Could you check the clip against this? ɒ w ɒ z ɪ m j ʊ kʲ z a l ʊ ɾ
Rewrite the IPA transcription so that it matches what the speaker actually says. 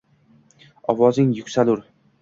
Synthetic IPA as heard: ɒ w ɒ z ɪ ŋ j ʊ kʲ s a l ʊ ɾ